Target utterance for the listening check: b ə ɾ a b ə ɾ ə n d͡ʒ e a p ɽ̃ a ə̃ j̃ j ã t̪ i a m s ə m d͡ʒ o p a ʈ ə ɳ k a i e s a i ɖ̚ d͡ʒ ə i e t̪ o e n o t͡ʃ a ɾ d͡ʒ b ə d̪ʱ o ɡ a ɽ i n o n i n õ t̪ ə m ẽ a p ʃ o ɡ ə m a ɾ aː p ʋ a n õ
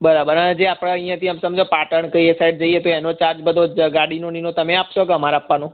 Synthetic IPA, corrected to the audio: b ə ɾ a b ə ɾ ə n d͡ʒ e a p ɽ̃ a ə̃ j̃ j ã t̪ i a m s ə m d͡ʒ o p a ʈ ə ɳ k ə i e s a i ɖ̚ d͡ʒ ə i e t̪ o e n o t͡ʃ a ɾ d͡ʒ b ə d̪ʱ o ɡ a ɽ i n o n i n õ t̪ ə m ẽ a p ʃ o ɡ ə m a ɾ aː p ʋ a n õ